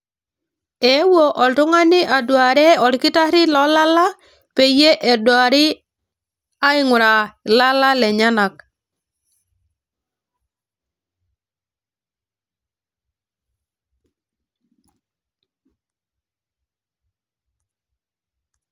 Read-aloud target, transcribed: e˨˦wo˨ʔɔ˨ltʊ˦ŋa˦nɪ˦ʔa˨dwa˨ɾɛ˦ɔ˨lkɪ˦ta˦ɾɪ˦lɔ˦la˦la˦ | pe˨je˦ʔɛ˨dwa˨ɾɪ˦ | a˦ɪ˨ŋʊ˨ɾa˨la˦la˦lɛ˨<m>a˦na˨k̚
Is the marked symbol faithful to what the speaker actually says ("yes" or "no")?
no